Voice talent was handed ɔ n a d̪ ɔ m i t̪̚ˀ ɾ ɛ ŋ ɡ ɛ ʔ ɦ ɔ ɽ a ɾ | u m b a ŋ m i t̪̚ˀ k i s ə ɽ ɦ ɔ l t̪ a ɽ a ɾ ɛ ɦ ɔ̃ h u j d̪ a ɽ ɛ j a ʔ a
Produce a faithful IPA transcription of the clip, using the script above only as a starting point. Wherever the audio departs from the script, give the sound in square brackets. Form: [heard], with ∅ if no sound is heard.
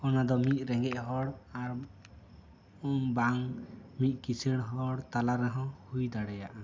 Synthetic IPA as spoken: ɔ n a d̪ ɔ m i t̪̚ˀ ɾ ɛ ŋ ɡ ɛ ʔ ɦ ɔ ɽ a ɾ | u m b a ŋ m i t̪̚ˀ k i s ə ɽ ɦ ɔ [ɽ] t̪ a [l] a ɾ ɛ ɦ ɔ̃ h u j d̪ a ɽ ɛ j a ʔ a

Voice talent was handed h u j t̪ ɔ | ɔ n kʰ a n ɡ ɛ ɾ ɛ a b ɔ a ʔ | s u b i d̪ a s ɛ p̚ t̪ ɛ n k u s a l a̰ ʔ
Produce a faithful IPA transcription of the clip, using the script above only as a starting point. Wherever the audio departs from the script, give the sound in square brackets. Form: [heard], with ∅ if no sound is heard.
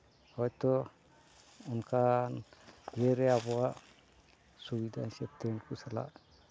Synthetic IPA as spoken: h [ɔ] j t̪ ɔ | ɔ n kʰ a n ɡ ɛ ɾ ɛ a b ɔ a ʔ | s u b i d̪ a s ɛ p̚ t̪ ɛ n k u s a l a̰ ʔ

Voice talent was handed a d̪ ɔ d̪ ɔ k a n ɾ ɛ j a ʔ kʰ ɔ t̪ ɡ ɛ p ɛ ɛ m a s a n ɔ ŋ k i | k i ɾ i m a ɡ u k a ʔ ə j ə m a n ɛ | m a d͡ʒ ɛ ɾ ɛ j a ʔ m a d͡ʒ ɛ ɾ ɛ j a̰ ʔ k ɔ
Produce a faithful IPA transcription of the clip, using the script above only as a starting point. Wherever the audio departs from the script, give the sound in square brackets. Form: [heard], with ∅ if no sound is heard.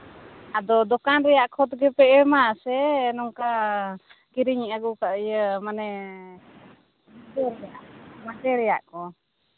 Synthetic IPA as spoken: a d̪ ɔ d̪ ɔ k a n ɾ ɛ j a ʔ kʰ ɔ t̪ ɡ ɛ p ɛ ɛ m a s [ɛ] n ɔ ŋ k [a] | k i ɾ i [ɲ] a ɡ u k a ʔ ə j ə m a n ɛ | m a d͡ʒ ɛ ɾ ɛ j a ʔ m a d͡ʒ ɛ ɾ ɛ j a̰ ʔ k ɔ

